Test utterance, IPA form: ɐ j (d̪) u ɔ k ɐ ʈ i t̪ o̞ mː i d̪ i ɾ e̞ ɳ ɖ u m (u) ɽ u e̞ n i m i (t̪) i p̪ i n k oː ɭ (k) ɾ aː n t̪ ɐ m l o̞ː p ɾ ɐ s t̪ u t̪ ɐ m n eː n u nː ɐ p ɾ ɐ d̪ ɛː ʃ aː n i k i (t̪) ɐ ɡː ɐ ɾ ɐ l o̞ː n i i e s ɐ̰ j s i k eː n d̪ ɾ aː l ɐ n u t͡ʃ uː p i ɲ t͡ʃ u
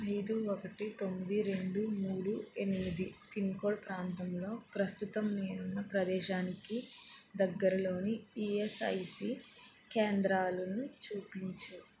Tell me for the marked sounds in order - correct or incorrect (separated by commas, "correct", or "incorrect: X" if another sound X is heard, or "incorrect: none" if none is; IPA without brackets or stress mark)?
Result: correct, incorrect: uː, incorrect: d̪, incorrect: p, incorrect: d̪